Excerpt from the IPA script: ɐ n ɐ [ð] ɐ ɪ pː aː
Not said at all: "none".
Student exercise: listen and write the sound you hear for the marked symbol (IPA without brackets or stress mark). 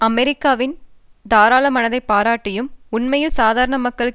ð